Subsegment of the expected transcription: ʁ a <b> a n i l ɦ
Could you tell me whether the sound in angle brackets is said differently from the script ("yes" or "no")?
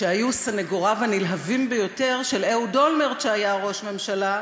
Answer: yes